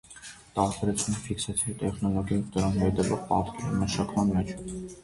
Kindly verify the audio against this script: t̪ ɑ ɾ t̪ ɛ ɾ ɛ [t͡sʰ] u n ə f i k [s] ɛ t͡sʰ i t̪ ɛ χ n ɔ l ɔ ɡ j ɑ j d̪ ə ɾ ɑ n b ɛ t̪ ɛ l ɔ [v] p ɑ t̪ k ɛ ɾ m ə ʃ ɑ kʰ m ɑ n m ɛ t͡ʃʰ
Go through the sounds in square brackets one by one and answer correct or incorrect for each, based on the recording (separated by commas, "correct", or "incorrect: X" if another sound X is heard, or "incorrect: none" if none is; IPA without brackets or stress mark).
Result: correct, correct, incorrect: ʁ